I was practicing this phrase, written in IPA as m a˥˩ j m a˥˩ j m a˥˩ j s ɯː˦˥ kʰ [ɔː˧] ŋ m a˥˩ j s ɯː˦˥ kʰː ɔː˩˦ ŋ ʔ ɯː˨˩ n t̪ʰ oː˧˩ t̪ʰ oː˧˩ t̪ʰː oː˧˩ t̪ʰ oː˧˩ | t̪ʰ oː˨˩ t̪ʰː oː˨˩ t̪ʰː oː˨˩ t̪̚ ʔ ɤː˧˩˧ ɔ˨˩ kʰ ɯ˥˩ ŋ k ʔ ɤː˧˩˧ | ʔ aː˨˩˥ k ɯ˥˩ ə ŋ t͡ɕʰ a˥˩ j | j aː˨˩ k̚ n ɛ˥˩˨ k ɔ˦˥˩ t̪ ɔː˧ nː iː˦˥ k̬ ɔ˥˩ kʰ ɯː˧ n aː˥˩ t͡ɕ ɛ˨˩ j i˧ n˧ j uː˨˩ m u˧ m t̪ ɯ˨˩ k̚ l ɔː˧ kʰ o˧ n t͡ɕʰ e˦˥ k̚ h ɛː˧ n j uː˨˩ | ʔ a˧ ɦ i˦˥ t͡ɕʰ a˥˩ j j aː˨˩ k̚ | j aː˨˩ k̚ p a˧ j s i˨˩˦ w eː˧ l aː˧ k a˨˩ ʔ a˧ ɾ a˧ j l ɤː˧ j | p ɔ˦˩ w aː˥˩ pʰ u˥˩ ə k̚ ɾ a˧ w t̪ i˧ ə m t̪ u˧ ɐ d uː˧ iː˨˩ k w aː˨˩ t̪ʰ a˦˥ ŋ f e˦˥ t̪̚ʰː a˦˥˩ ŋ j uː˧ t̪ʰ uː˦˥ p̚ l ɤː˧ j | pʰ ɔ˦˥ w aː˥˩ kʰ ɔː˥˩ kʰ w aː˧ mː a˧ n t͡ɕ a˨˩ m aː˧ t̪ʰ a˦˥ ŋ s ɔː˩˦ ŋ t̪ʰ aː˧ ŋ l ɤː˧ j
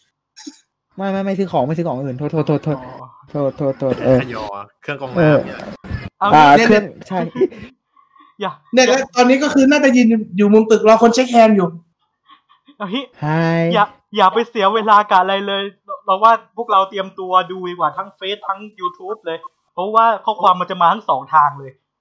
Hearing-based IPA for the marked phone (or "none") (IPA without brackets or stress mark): ɔː˩˦